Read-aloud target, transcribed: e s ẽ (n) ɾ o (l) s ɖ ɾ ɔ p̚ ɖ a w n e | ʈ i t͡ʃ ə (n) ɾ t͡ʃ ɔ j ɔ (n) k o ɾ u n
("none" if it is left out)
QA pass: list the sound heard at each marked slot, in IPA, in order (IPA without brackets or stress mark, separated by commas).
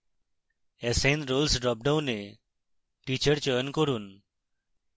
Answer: n, l, none, n